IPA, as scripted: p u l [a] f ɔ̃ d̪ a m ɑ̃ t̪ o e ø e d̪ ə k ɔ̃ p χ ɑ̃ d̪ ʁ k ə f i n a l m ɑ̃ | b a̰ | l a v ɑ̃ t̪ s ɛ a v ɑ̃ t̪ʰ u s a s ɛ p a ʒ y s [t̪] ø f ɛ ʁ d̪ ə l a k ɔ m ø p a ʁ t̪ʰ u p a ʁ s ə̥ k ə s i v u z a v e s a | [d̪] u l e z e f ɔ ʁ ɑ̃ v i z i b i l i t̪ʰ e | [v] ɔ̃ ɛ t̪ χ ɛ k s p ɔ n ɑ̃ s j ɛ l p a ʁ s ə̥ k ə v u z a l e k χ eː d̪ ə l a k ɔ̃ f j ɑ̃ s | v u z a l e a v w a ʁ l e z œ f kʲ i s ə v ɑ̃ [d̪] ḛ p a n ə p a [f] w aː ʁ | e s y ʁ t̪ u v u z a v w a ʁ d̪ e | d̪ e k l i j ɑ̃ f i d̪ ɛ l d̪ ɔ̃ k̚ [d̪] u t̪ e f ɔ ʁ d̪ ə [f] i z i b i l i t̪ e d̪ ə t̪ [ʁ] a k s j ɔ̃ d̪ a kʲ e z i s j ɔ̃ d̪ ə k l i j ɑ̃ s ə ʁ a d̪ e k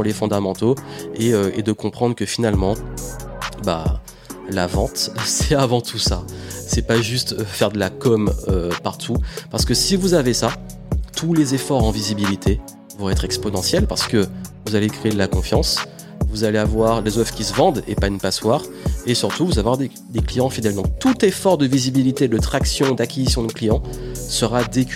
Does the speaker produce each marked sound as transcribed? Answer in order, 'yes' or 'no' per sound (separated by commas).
no, yes, no, yes, yes, no, no, no, no